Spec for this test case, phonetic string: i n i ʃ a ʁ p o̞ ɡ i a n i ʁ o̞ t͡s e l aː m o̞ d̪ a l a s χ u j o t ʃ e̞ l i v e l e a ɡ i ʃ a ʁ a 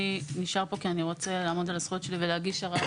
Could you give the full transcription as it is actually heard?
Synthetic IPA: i n i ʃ a ʁ p o̞ k i a n i ʁ o̞ t͡s e l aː m o̞ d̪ a l a s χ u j o t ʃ e̞ l i v e l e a ɡ i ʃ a ʁ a